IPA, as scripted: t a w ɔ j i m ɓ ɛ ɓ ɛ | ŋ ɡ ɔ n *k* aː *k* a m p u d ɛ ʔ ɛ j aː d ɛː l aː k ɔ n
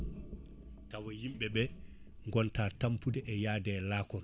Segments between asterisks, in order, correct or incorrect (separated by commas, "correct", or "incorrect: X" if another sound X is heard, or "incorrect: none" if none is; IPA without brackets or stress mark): incorrect: t, incorrect: t